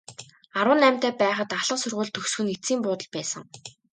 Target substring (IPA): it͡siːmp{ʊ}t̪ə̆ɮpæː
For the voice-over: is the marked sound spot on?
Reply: no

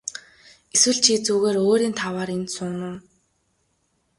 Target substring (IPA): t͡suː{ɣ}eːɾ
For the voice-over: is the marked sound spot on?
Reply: yes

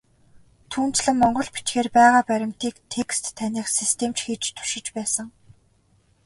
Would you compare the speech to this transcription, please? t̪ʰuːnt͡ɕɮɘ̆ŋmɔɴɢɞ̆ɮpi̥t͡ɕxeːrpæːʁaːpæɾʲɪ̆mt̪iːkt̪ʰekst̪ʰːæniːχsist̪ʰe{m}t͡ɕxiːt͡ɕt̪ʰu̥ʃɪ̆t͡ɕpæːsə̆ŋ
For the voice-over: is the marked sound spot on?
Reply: yes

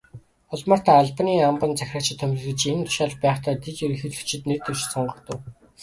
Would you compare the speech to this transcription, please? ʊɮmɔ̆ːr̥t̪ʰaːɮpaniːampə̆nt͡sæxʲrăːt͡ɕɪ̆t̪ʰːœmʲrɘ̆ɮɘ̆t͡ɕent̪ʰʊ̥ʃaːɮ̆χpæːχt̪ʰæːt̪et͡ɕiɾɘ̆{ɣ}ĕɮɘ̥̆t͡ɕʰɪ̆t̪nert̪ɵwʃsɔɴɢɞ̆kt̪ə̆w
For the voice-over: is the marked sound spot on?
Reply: no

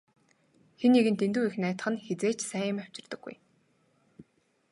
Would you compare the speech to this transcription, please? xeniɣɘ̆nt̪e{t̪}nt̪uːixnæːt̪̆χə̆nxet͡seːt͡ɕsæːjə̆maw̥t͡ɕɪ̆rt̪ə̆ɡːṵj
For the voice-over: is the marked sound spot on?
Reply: no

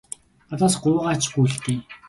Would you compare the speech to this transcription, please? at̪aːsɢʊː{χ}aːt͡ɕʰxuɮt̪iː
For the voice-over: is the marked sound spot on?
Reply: no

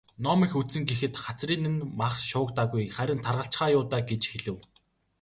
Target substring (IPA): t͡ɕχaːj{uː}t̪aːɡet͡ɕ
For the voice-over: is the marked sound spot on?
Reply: no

